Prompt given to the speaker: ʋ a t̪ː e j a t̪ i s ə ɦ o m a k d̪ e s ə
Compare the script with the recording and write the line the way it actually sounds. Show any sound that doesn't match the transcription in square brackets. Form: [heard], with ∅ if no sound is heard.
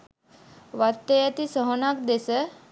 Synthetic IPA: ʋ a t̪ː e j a t̪ i s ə ɦ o [n] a k d̪ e s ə

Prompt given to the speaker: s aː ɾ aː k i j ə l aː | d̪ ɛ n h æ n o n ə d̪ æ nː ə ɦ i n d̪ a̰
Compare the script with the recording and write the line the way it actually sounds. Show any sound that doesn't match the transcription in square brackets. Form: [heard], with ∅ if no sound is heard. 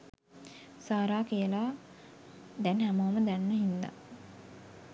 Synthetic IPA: s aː ɾ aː k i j ə l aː | d̪ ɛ n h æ [m] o [m] ə d̪ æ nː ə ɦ i n d̪ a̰

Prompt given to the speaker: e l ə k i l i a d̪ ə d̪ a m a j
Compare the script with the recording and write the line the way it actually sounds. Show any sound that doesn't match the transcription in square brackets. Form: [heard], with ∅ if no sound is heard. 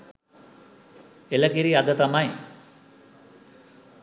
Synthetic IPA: e l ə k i [ɾ] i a d̪ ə [t̪] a m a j

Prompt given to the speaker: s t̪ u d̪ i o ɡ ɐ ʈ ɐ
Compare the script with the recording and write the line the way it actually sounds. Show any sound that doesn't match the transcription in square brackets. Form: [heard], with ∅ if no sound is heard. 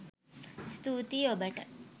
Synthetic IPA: s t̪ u [t̪] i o [b] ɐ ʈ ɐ

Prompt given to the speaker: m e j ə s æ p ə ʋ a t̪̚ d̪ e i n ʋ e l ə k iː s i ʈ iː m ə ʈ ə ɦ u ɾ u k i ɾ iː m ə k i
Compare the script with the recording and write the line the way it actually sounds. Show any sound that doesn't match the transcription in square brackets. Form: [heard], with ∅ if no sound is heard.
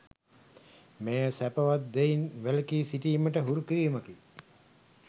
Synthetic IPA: m e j ə s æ p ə ʋ a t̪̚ d̪ e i n ʋ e l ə k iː s i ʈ iː m ə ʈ ə ɦ u ɾ u k i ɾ iː m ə k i

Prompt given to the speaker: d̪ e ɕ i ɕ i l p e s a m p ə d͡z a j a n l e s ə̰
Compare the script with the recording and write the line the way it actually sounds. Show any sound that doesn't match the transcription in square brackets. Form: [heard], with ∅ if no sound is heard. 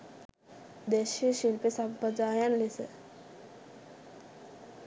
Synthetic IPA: d̪ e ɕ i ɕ i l p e s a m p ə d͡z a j a n l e s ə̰

